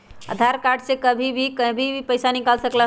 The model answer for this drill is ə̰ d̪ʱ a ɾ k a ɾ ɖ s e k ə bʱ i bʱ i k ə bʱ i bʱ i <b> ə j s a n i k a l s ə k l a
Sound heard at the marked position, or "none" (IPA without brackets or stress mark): p